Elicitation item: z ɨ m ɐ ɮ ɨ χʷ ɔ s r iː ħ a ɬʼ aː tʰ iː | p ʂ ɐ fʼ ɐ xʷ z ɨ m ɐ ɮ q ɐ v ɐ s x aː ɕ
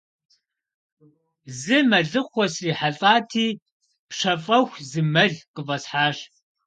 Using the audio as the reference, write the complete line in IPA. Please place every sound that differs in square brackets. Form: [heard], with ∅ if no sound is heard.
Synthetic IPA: z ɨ m ɐ ɮ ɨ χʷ ɔ s r iː ħ a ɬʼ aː tʰ iː | p ʂ ɐ fʼ ɐ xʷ z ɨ m ɐ ɮ q [ə] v ɐ s [ħ] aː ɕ